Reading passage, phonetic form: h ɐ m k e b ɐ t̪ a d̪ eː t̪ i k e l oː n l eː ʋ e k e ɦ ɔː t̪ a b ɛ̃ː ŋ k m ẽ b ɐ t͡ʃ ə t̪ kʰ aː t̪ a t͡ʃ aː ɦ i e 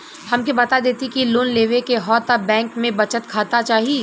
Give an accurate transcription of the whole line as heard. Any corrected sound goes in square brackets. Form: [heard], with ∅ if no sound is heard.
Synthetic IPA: h ɐ m k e b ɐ t̪ a d̪ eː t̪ i k [i] l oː n l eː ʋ e k e ɦ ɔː t̪ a b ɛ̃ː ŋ k m ẽ b ɐ t͡ʃ ə t̪ kʰ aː t̪ a t͡ʃ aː ɦ i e